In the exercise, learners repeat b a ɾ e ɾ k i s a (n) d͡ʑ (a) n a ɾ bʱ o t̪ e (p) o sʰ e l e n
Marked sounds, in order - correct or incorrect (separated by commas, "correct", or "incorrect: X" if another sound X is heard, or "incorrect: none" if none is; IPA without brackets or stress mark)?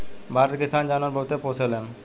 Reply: correct, correct, correct